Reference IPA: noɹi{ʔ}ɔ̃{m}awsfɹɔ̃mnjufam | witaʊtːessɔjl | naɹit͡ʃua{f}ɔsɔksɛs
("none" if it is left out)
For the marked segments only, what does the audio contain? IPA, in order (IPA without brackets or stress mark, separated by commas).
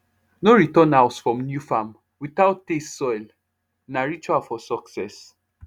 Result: t, n, f